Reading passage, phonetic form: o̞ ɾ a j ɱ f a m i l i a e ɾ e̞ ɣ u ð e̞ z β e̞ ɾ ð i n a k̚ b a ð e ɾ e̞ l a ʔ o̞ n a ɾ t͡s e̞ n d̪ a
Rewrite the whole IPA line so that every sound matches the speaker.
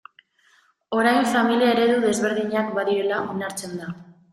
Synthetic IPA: o̞ ɾ a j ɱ f a m i l i a e ɾ e̞ ð u ð e̞ z β e̞ ɾ ð i ɲ a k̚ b a ð i ɾ e̞ l a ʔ o̞ n a ɾ t͡s e̞ n d̪ a